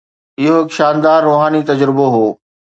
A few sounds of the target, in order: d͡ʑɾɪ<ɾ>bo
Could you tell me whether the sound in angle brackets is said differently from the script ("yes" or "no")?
yes